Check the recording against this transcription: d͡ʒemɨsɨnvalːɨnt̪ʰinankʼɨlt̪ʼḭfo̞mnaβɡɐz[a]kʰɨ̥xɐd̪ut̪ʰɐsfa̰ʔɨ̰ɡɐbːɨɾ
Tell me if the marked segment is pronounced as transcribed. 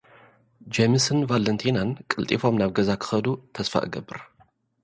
yes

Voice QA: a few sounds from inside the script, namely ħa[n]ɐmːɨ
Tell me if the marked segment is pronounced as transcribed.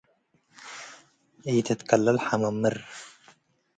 no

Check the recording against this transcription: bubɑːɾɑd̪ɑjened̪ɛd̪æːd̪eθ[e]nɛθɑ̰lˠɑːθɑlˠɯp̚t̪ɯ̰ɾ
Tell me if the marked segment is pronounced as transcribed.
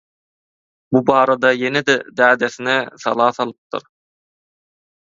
no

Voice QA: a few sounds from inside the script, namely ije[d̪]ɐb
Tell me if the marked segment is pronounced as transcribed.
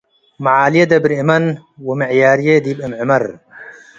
yes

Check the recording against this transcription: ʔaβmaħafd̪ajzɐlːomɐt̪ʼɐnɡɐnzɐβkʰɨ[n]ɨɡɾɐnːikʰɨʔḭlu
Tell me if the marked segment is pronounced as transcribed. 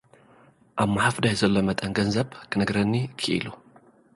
yes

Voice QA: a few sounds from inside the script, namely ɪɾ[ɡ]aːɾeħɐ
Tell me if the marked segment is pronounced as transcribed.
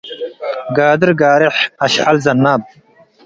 yes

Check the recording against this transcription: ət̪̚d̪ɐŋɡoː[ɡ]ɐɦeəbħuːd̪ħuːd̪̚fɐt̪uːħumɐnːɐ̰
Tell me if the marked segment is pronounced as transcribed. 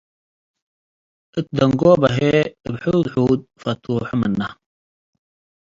no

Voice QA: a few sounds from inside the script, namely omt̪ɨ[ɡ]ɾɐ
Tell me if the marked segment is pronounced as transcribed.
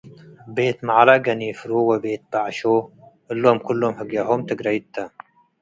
yes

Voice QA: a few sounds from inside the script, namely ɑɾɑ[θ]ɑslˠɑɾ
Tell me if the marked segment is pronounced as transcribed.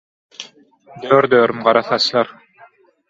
yes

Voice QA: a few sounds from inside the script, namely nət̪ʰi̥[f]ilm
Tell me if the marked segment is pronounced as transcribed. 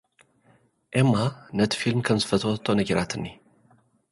yes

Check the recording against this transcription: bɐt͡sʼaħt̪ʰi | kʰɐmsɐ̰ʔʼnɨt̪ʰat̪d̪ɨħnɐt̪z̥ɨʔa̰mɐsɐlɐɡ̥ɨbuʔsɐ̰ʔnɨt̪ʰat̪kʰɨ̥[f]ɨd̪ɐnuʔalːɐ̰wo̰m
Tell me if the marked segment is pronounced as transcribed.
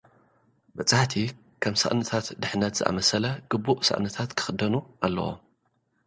no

